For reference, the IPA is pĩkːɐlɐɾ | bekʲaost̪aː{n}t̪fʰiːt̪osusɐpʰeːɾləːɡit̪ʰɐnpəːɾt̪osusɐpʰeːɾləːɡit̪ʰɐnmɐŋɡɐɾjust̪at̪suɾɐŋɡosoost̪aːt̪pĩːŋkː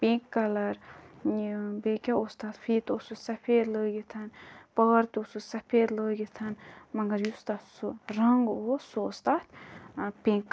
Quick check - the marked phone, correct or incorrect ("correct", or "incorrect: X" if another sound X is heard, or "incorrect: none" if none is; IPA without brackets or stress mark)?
incorrect: none